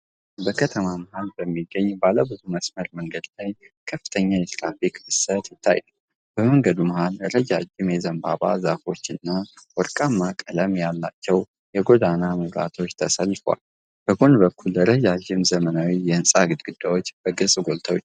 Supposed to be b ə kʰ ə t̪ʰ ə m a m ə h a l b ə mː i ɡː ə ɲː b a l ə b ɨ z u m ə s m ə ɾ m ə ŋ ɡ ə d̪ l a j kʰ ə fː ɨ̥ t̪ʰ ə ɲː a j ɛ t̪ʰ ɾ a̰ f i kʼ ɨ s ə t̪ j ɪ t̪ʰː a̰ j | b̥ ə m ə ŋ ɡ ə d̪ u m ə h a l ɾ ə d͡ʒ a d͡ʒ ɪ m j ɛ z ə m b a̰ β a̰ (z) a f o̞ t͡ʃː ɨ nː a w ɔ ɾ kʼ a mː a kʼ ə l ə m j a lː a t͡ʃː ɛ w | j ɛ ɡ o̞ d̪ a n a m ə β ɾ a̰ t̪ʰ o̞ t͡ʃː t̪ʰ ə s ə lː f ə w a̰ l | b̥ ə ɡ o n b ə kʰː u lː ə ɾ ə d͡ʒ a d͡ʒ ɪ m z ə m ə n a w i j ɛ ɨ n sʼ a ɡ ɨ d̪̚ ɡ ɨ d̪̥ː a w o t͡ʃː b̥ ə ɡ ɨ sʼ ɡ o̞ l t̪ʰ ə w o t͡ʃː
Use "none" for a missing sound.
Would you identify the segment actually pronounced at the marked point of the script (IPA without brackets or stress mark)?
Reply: z